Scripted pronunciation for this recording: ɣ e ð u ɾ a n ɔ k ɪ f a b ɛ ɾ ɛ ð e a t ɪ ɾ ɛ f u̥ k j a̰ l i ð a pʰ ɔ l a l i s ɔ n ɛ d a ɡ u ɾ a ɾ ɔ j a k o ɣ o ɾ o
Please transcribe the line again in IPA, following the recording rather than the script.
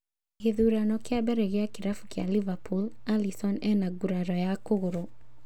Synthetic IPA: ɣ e ð u ɾ a n ɔ k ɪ a b ɛ ɾ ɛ ɣ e a k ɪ ɾ a f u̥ k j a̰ l i v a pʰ u l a l i s ɔ n ɛ n a ɡ u ɾ a ɾ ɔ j a k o ɣ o ɾ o